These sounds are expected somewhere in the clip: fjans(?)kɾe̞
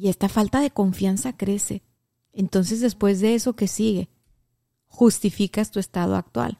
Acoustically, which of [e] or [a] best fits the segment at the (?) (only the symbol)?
a